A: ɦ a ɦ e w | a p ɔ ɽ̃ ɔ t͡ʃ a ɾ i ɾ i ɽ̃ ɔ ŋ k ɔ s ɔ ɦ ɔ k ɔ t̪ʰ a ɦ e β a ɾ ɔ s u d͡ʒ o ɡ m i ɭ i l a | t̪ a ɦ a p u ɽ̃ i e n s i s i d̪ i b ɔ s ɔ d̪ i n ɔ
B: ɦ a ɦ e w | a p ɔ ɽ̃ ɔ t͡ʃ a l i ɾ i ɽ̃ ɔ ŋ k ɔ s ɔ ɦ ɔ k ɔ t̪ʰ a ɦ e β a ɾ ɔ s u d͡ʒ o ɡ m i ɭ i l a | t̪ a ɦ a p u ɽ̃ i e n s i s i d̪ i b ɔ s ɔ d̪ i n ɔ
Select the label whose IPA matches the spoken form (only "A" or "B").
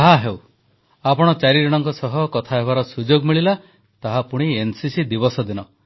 A